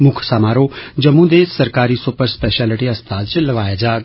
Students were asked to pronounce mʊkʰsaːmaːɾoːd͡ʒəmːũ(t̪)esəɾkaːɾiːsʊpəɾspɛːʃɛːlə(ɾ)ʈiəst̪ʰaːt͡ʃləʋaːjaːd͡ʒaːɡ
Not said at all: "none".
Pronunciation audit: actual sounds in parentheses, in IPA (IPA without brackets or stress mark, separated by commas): d̪, none